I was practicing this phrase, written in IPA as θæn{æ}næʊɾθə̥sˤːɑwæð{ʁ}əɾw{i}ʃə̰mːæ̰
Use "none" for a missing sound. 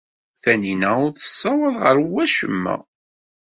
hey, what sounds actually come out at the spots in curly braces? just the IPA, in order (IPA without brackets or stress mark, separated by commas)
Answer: i, ʁ, æ